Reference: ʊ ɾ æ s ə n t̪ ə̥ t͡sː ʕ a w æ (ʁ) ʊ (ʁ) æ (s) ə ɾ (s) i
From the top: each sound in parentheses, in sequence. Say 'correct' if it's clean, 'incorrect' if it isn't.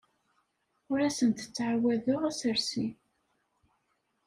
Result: incorrect: ð, correct, correct, correct

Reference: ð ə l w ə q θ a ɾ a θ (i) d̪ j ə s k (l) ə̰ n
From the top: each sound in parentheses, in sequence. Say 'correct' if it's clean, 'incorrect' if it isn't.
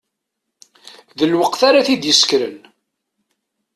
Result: correct, incorrect: ɾ

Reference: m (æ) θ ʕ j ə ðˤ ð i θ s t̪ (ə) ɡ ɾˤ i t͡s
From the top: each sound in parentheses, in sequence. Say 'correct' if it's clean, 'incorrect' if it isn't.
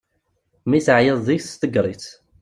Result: incorrect: i, correct

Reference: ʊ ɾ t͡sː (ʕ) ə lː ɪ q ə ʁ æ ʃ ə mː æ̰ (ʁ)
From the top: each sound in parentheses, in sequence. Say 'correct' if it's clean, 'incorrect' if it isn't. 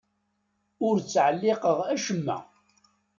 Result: correct, incorrect: none

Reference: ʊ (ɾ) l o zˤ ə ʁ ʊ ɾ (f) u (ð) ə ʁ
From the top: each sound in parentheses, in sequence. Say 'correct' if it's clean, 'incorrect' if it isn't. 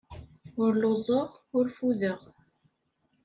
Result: correct, correct, correct

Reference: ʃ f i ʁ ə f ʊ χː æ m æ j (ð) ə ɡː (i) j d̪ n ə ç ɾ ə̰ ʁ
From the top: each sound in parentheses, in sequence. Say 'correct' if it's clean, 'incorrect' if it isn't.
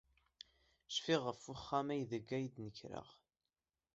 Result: correct, incorrect: æ

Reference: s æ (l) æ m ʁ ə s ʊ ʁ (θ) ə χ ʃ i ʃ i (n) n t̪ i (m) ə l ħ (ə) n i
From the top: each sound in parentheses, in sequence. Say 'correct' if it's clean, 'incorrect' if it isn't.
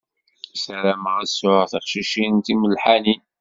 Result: incorrect: ɾ, correct, correct, correct, incorrect: a

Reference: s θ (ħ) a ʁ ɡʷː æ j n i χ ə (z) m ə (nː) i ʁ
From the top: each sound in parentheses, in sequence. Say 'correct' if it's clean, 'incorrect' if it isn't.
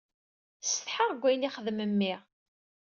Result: correct, incorrect: ð, incorrect: mː

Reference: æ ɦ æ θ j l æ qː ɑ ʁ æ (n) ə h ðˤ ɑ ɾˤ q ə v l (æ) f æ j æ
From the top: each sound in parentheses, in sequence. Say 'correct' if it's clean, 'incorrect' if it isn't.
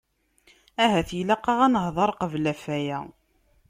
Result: correct, correct

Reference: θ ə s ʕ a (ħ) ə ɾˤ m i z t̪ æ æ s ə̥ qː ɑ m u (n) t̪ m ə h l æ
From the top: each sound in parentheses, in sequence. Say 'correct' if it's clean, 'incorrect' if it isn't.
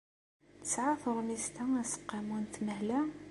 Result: incorrect: θ, correct

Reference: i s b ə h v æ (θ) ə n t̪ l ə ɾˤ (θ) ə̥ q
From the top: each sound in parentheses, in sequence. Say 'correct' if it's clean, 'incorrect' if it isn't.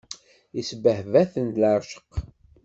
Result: correct, incorrect: ʃ

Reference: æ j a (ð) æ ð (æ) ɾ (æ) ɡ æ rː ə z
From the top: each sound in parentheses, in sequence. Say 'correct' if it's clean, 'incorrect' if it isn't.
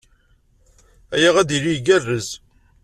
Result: incorrect: ʁ, incorrect: i, incorrect: i

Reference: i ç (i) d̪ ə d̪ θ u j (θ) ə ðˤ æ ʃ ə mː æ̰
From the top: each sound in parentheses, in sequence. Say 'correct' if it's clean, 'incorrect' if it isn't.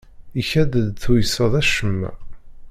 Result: incorrect: æ, incorrect: s

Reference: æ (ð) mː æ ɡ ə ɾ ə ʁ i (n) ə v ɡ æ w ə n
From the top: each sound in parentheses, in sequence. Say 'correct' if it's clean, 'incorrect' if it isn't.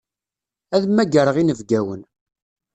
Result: correct, correct

